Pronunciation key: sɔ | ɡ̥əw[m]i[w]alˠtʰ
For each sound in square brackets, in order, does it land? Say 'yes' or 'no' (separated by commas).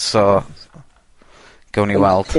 no, yes